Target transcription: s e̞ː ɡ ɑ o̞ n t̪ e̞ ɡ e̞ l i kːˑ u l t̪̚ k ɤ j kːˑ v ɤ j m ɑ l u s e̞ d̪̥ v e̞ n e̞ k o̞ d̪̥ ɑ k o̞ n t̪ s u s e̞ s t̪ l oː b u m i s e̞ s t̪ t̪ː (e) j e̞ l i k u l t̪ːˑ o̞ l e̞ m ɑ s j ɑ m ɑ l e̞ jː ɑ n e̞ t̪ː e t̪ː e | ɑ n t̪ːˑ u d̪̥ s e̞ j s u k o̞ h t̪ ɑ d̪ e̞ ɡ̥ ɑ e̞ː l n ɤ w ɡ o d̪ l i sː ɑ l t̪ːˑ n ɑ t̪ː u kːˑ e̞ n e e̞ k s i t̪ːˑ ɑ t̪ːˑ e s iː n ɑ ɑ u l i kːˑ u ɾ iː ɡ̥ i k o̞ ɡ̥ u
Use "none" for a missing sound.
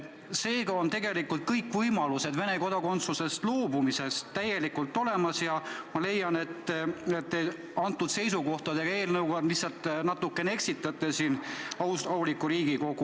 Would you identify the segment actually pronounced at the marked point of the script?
æ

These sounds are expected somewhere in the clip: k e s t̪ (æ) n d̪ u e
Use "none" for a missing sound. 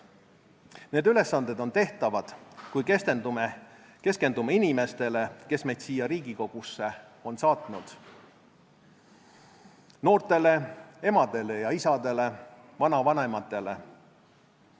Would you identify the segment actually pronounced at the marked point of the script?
e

